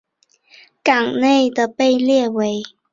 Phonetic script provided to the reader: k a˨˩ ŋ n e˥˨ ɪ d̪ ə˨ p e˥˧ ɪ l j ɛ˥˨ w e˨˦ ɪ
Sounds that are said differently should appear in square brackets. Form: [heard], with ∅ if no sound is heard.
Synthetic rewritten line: k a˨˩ ŋ n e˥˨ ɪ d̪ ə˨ p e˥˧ ɪ l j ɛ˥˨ w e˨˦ ɪ